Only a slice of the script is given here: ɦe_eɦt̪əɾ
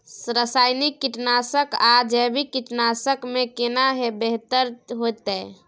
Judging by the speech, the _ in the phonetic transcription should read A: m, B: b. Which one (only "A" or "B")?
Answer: B